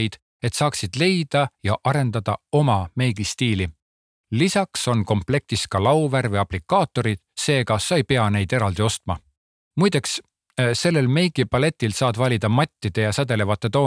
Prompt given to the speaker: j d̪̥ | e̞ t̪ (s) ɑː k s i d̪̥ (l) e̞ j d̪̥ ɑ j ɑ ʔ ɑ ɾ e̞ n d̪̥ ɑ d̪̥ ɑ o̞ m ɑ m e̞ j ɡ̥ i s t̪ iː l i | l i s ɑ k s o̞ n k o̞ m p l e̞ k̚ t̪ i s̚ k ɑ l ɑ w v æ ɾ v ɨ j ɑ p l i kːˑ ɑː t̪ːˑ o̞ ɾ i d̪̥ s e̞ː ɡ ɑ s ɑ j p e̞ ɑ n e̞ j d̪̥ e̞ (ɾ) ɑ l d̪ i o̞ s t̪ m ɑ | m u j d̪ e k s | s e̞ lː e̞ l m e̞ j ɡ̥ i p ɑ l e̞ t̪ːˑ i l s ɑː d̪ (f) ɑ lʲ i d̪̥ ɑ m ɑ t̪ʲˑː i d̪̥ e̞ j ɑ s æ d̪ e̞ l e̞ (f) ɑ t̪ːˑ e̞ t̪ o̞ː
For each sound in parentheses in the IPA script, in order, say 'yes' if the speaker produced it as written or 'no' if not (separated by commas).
yes, yes, yes, no, no